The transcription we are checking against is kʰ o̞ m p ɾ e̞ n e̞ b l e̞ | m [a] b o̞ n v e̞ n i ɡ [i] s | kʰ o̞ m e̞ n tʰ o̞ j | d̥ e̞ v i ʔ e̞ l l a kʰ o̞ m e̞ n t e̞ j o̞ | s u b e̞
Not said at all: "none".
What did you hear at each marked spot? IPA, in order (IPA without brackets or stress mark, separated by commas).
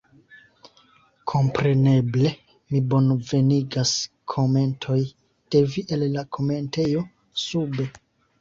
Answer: i, a